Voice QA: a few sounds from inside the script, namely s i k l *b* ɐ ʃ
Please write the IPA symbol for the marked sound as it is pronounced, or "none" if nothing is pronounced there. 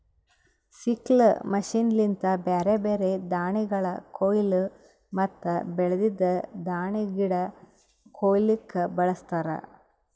m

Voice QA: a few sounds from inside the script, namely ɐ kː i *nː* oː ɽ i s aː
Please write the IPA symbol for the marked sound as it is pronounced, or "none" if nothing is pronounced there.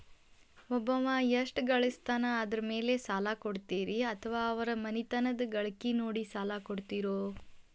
n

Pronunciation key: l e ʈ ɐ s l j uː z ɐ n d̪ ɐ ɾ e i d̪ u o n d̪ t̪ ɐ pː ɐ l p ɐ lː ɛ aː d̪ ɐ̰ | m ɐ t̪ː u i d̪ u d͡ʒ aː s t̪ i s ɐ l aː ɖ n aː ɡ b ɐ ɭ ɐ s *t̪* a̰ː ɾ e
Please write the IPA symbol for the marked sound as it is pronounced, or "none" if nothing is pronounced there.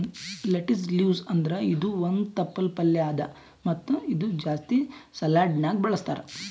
t̪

